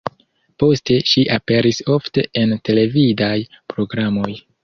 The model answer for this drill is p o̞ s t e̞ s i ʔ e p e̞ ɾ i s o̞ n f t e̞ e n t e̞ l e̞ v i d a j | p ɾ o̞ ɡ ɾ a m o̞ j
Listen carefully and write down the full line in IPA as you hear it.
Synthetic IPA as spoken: p o̞ s t e̞ ʃ i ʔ a p e̞ ɾ i s o̞ f t e̞ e n t e̞ l e̞ v i d a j | p ɾ o̞ ɡ ɾ a m o̞ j